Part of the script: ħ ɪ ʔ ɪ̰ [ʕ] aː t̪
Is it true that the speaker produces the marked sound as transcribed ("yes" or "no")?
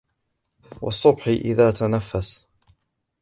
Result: no